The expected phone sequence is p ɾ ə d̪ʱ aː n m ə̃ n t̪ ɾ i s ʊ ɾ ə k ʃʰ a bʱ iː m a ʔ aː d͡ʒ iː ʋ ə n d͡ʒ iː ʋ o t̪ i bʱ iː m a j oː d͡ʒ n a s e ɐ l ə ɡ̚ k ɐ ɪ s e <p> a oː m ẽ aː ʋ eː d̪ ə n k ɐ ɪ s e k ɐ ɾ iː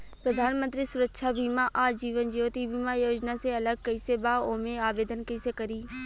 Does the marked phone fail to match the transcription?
yes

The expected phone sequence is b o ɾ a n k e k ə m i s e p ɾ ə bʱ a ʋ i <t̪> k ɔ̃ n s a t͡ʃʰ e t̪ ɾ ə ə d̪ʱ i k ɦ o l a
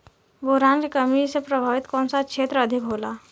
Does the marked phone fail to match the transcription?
no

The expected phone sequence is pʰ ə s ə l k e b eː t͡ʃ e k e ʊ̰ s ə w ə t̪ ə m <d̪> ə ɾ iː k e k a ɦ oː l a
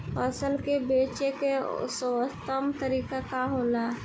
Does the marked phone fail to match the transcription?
yes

